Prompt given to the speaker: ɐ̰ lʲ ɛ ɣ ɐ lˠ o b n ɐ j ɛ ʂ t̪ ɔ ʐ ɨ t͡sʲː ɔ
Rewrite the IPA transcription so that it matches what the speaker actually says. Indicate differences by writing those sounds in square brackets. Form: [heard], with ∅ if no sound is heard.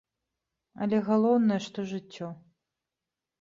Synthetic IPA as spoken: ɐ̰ lʲ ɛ ɣ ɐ lˠ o [w] n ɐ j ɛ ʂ t̪ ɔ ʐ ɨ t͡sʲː ɔ